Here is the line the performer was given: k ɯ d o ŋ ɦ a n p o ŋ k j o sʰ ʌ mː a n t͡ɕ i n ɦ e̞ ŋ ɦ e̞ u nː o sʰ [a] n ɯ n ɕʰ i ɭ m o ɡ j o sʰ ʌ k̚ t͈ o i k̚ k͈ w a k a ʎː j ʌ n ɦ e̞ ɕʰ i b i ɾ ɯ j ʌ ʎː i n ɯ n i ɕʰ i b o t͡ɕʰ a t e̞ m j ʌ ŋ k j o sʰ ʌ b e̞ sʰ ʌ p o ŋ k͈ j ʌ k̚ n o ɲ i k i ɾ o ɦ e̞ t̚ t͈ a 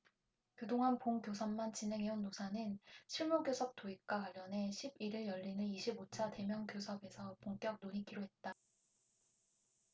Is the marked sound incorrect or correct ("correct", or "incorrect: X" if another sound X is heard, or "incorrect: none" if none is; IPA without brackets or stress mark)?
correct